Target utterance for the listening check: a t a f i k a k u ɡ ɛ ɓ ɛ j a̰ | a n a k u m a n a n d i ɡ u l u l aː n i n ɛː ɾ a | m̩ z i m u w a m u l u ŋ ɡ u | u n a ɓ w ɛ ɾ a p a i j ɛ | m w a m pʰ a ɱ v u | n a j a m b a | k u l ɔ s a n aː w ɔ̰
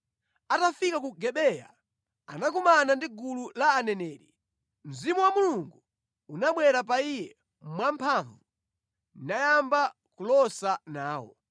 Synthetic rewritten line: a t a f i k a k u ɡ ɛ ɓ ɛ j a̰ | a n a k u m a n a n d i ɡ u l u l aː n ɛ n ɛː ɾ i | m̩ z i m u w a m u l u ŋ ɡ u | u n a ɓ w ɛ ɾ a p a i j ɛ | m w a m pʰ a ɱ v u | n a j a m b a | k u l ɔ s a n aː w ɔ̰